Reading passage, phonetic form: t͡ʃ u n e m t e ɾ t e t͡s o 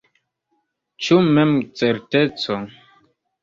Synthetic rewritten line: t͡ʃ u m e m t͡s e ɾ t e t͡s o